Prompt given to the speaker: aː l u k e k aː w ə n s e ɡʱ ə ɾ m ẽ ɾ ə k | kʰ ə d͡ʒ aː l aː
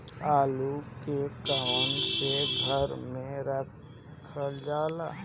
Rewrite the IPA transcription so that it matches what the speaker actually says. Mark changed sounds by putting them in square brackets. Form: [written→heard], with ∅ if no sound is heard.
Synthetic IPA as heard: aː l u k e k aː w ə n s e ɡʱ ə ɾ m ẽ ɾ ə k | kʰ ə d͡ʒ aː l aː